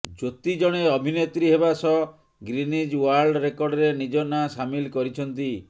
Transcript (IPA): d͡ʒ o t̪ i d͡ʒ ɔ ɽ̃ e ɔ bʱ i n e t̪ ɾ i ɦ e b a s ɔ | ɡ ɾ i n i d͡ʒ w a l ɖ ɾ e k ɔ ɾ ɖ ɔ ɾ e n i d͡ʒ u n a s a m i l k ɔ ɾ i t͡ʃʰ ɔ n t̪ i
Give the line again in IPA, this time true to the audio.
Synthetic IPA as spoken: d͡ʒ o t̪ i d͡ʒ ɔ ɽ̃ e ɔ bʱ i n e t̪ ɾ i ɦ e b a s ɔ | ɡ ɾ i n i d͡ʒ w a ɾ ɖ ɾ e k ɔ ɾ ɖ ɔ ɾ e n i d͡ʒ ɔ n a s a m i l k ɔ ɾ i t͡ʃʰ ɔ n t̪ i